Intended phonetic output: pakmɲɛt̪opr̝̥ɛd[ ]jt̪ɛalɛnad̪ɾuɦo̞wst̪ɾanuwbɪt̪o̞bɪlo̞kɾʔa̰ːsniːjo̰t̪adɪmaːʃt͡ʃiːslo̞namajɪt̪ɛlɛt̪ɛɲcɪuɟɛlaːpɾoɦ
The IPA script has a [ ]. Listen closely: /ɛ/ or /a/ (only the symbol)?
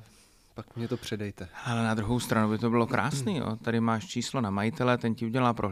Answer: ɛ